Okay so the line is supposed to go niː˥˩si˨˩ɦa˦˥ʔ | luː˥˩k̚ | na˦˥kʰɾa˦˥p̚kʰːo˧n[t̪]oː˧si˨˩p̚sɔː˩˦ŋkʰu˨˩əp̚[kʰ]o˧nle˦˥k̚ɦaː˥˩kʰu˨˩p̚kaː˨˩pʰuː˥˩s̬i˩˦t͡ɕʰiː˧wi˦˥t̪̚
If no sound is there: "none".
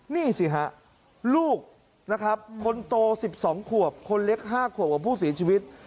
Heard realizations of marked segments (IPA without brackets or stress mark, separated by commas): t̪, kʰ